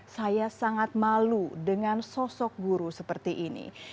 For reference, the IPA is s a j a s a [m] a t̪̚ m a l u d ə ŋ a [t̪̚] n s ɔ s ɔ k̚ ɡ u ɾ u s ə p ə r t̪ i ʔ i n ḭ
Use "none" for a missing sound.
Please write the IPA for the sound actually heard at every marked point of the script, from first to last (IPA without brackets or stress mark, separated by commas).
ŋ, none